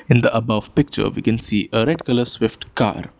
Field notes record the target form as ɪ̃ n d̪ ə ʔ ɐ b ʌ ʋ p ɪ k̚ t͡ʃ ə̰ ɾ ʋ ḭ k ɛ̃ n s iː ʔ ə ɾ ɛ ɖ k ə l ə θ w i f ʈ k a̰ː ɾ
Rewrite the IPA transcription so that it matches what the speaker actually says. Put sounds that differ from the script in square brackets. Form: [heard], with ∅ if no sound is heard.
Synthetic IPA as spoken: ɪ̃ n d̪ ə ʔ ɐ b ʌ ʋ p ɪ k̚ t͡ʃ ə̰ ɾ ʋ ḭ k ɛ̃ n s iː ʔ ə ɾ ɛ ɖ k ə l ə [s] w [ɪ] f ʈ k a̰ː ɾ